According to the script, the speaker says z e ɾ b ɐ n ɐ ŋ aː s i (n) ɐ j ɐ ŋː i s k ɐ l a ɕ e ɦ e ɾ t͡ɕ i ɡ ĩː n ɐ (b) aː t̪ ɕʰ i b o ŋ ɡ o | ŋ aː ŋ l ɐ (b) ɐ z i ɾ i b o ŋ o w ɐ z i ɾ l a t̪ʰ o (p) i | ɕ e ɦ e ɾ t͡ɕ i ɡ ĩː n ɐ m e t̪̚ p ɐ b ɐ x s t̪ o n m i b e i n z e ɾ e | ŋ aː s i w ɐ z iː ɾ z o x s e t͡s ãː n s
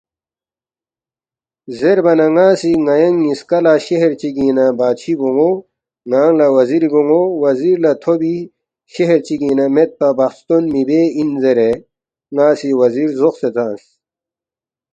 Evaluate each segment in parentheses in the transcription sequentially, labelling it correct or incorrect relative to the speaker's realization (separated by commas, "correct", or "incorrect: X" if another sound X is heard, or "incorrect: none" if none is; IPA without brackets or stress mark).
incorrect: ŋ, correct, incorrect: w, incorrect: b